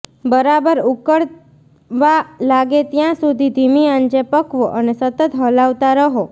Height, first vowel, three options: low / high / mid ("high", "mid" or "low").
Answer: mid